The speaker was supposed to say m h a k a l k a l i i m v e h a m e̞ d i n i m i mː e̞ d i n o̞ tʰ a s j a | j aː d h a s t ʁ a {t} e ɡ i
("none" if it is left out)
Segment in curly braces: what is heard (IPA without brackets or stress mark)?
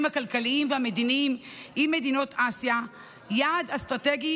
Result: t